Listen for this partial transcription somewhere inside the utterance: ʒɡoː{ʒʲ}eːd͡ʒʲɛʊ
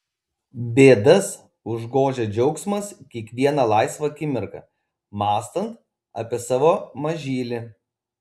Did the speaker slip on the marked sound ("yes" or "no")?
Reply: no